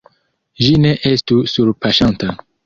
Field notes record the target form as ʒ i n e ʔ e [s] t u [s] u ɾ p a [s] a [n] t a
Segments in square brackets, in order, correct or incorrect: correct, correct, incorrect: ʃ, correct

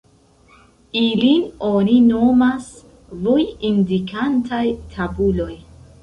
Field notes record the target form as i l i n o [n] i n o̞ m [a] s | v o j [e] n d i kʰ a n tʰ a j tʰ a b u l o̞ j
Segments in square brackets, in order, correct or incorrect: correct, correct, incorrect: i

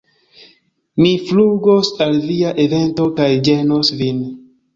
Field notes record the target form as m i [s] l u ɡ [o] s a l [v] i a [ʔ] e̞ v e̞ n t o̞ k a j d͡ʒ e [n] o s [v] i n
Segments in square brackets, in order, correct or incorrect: incorrect: f, correct, correct, correct, correct, correct

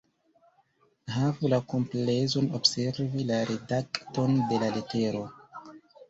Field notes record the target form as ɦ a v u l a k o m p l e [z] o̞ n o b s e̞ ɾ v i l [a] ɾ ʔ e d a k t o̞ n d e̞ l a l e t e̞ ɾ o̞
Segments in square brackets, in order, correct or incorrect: correct, correct

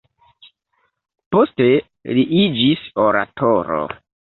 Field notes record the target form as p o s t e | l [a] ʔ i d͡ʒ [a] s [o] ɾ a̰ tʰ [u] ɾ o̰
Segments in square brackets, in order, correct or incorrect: incorrect: i, incorrect: i, correct, incorrect: o

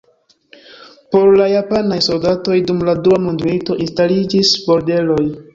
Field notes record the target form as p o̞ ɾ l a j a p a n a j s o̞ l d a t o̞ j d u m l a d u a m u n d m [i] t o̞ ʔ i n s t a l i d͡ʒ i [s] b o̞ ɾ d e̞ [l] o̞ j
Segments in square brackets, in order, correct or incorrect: correct, correct, correct

